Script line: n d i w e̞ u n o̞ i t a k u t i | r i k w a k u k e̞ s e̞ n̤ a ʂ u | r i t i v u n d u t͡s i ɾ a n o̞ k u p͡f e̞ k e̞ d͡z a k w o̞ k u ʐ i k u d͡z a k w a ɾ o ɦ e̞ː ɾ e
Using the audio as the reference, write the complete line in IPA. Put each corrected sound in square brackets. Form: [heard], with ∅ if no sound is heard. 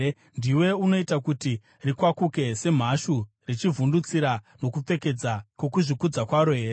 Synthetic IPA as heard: n d i w e̞ u n o̞ i t a k u t i | r i k w a k u k e̞ s e̞ [m̤] a [ʃ] u | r i [t͡ʃ] i v u n d u t͡s i ɾ a n o̞ k u p͡f e̞ k e̞ d͡z a k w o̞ k u ʐ i k u d͡z a k w a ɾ o ɦ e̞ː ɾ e